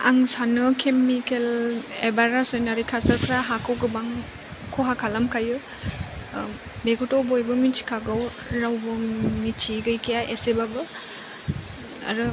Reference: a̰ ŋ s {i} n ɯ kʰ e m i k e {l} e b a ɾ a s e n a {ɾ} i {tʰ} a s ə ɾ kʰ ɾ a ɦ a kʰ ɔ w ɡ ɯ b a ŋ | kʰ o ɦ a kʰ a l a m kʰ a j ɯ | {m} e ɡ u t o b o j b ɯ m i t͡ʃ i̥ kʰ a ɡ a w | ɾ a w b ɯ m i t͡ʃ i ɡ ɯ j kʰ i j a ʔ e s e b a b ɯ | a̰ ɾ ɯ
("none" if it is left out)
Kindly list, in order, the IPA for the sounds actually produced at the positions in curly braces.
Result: a, l, ɾ, kʰ, b

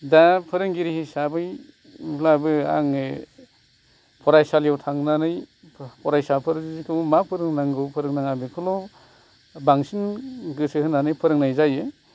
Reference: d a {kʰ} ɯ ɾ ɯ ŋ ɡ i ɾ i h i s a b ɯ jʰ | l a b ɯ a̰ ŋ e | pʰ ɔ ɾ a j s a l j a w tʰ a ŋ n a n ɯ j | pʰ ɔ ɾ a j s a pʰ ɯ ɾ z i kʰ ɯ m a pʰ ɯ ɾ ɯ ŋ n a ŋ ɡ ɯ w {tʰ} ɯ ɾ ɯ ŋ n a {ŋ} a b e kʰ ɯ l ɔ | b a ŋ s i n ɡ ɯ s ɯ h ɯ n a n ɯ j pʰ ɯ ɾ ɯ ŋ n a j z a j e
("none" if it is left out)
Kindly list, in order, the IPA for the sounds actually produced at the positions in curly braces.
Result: pʰ, pʰ, ŋ

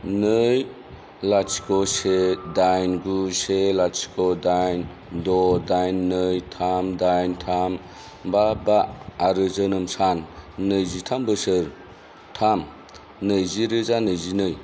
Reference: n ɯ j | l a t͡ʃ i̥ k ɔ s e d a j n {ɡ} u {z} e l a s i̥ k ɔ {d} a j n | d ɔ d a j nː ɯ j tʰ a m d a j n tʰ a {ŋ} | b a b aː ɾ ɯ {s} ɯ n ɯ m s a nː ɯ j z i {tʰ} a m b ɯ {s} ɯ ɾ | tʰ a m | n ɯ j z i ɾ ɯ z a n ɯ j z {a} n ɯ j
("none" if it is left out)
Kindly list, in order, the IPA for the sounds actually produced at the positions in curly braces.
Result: ɡ, s, d, m, z, tʰ, s, i

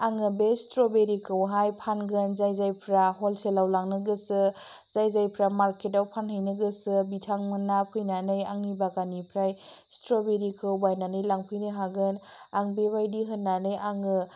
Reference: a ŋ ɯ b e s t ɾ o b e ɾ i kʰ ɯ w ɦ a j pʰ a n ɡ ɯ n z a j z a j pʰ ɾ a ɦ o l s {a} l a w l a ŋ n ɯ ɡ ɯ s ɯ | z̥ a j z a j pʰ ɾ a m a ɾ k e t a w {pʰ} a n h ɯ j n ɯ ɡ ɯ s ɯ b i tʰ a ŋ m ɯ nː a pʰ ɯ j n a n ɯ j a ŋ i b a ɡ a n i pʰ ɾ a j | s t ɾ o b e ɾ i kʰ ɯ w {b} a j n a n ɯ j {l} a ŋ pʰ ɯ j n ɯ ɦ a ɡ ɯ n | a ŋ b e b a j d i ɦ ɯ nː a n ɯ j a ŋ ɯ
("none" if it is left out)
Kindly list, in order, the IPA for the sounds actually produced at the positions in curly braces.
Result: e, pʰ, b, l

